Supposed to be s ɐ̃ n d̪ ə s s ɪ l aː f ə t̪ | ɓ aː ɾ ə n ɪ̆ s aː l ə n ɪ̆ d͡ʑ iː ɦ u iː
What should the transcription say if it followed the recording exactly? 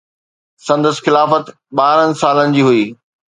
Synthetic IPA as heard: s ɐ̃ n d̪ ə s x ɪ l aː f ə t̪ | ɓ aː ɾ ə n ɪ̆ s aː l ə n ɪ̆ d͡ʑ iː ɦ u iː